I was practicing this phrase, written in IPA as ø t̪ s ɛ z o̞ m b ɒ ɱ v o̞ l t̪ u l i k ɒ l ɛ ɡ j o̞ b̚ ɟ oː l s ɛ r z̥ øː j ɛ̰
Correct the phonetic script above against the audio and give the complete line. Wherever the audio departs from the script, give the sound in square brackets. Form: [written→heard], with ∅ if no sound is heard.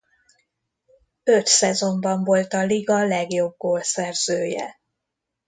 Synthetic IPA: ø t̪ s ɛ z o̞ m b ɒ ɱ v o̞ l t̪ [u→ɒ] l i [k→ɡ] ɒ l ɛ ɡ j o̞ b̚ [ɟ→ɡ] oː l s ɛ r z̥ øː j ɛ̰